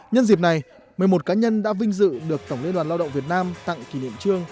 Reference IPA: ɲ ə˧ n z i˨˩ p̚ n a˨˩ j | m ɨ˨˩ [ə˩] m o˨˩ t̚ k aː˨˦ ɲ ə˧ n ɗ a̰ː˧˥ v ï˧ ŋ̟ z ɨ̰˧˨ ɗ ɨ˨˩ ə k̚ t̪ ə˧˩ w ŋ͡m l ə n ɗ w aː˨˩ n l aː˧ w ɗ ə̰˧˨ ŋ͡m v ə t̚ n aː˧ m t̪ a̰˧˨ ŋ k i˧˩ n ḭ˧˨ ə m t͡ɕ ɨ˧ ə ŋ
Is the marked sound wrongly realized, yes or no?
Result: no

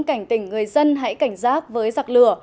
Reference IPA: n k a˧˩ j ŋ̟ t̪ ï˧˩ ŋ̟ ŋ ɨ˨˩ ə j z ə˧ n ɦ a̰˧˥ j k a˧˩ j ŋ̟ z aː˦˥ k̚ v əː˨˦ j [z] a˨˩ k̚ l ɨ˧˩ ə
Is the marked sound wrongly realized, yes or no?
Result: no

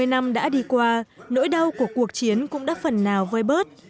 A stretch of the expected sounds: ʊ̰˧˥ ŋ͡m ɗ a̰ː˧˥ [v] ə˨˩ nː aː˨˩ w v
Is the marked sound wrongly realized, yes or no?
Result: yes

